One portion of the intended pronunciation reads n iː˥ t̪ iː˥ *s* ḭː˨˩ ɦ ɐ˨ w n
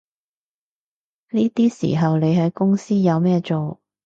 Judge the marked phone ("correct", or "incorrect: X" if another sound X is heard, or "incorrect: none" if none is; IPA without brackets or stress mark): correct